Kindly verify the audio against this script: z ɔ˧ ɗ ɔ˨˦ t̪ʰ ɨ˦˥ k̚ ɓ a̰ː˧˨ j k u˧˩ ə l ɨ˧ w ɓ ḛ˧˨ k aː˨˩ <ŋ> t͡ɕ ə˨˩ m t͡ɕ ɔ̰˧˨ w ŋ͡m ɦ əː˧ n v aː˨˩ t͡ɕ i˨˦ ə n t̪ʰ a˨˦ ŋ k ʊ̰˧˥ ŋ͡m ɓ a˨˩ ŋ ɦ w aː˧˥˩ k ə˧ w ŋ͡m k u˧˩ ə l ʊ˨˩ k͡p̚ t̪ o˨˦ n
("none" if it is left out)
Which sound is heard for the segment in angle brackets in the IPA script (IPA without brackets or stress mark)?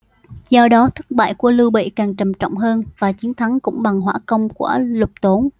ŋ